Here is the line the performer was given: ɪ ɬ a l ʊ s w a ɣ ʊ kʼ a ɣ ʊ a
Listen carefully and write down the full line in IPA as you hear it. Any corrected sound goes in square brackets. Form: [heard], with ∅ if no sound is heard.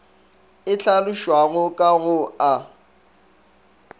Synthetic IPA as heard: ɪ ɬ a l ʊ [ʃ] w a ɣ ʊ kʼ a ɣ ʊ a